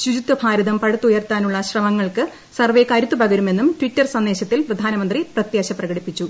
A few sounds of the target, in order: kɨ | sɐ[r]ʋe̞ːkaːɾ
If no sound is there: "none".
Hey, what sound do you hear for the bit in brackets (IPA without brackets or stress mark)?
r